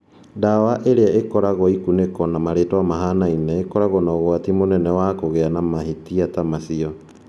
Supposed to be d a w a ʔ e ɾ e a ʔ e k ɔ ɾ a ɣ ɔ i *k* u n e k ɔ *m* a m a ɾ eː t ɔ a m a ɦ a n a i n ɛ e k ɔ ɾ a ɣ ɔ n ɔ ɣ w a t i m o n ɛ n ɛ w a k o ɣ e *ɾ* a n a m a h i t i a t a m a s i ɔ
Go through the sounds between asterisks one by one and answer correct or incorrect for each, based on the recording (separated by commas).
correct, incorrect, incorrect